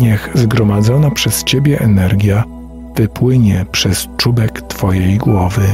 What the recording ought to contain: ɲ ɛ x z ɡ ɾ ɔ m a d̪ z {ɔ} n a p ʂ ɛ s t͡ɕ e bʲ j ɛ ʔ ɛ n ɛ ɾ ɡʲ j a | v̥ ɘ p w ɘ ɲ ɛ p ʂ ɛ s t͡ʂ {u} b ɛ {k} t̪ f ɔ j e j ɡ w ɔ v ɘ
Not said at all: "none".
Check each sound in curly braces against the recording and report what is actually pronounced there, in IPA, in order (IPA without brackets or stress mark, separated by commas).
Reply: ɔ, u, k